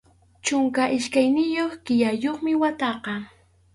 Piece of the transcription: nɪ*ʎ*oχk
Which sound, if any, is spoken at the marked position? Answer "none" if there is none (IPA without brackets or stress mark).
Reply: j